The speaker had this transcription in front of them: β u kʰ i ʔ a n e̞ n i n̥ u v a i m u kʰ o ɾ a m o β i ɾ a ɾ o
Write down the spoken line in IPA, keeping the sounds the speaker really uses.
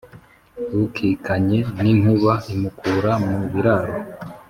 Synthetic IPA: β u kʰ i k a ɲ e̞ n i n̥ u β a i m u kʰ u ɾ a m u β i ɾ a ɾ o